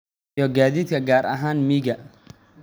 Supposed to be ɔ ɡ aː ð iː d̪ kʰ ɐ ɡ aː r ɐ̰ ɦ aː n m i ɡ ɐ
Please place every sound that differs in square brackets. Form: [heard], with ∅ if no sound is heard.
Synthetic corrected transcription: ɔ ɡ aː ð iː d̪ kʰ ɐ ɡ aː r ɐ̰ ɦ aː n m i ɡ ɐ